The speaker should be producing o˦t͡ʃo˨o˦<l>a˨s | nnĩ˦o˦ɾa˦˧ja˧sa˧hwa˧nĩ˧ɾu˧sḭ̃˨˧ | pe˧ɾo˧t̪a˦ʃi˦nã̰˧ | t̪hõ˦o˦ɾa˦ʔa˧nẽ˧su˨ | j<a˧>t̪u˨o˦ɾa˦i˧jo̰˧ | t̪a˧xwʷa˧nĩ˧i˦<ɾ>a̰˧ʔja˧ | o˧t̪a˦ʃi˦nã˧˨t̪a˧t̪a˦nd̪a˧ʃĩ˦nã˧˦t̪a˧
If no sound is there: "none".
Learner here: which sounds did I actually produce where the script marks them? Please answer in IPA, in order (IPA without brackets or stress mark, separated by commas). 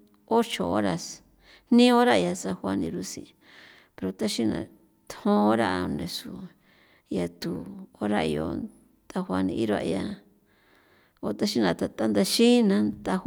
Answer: ɾ, a˧, ɾ